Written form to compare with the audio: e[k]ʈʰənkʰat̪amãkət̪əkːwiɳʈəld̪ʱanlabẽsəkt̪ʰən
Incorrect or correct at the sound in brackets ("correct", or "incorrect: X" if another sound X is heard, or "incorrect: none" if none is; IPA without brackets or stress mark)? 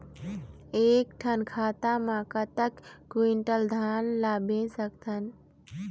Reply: correct